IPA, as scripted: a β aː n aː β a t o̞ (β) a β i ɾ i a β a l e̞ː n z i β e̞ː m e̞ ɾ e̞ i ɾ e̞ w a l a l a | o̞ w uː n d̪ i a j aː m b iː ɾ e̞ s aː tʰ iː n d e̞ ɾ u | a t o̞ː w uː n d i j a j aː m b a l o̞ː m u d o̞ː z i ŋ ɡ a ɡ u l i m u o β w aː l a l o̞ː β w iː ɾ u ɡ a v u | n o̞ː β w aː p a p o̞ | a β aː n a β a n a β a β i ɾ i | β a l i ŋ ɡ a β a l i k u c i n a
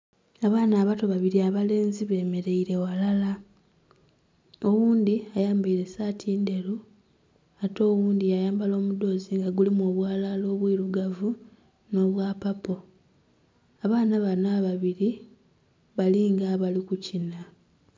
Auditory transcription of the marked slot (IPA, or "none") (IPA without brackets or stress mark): β